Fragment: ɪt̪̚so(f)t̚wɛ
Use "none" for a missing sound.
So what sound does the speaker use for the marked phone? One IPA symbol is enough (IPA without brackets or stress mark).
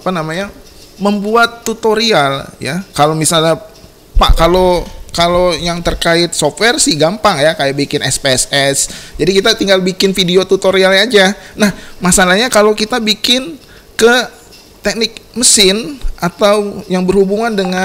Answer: f